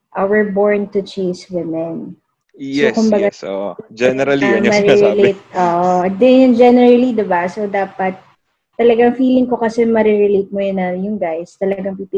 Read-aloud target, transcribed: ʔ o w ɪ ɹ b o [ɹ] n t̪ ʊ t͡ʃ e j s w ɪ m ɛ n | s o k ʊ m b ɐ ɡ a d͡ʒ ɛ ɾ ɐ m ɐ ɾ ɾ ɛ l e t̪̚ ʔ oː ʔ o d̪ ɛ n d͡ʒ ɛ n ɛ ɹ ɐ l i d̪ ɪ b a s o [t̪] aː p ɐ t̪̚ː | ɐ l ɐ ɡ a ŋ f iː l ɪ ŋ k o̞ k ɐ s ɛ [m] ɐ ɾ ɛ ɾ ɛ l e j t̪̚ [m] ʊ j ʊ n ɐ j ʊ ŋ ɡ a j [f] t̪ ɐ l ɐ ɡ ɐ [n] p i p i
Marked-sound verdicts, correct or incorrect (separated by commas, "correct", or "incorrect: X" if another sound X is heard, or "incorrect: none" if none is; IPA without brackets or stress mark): correct, incorrect: d̪, correct, correct, incorrect: s, incorrect: ŋ